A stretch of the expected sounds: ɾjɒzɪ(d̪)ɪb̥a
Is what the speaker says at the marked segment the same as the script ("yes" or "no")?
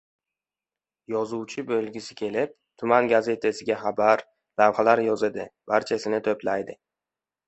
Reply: yes